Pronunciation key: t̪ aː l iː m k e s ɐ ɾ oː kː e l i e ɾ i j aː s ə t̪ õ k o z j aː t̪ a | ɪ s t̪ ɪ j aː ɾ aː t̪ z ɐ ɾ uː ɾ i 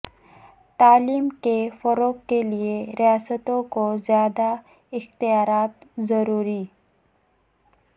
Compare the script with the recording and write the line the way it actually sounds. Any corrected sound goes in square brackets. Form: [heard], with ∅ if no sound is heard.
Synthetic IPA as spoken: t̪ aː l iː m k e [f] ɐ ɾ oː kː e l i e ɾ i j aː s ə t̪ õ k o z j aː [d̪] a | ɪ [x] t̪ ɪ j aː ɾ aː t̪ z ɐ ɾ uː ɾ i